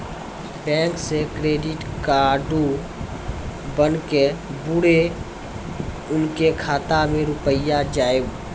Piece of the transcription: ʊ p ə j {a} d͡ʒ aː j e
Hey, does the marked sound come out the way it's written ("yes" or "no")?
yes